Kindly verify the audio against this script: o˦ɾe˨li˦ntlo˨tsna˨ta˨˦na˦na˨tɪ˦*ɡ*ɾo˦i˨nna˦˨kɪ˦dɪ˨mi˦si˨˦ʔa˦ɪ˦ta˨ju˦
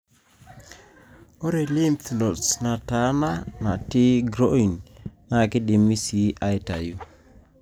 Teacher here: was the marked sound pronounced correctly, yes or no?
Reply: yes